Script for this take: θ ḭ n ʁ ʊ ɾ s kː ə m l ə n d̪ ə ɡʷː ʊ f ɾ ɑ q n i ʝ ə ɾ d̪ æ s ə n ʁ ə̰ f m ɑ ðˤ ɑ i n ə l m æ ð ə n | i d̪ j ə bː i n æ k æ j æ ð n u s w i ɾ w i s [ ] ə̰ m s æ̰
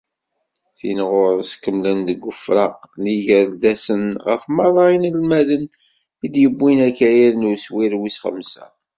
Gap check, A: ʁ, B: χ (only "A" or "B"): B